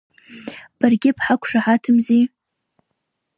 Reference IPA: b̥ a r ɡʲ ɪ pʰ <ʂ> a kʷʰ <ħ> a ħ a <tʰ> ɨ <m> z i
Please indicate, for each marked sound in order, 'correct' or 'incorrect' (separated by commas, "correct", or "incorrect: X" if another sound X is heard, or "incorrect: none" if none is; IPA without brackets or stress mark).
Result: incorrect: ħ, incorrect: ʂ, correct, correct